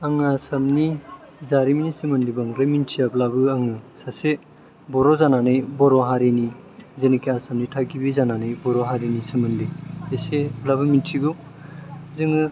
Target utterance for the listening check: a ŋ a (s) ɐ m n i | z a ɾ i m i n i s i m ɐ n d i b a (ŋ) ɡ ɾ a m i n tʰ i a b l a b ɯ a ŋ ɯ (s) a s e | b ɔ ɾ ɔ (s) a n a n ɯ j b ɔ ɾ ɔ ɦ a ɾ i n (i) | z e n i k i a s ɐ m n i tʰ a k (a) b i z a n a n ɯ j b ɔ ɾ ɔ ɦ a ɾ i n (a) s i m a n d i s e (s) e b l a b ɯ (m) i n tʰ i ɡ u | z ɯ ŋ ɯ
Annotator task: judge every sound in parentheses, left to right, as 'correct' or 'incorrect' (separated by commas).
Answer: correct, correct, correct, incorrect, correct, incorrect, incorrect, correct, correct